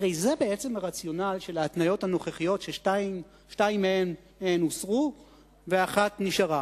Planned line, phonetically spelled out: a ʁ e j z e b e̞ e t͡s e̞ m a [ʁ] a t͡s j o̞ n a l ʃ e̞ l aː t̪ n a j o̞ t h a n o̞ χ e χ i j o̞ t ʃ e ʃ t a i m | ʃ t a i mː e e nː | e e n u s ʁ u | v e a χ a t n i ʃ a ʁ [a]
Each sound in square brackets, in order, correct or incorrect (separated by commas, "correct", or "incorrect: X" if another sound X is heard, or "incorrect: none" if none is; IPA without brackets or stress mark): correct, correct